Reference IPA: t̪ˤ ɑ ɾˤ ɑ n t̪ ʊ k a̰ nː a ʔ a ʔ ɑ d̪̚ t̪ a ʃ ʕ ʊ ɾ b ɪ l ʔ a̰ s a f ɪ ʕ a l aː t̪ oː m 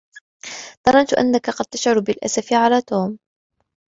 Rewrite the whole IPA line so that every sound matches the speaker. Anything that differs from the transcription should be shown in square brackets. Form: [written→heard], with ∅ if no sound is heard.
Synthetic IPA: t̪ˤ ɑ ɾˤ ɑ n t̪ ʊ [k→ʔ] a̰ nː a [ʔ→k] a [ʔ→q] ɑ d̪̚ t̪ a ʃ ʕ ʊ ɾ b ɪ l ʔ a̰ s a f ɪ ʕ a l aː t̪ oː m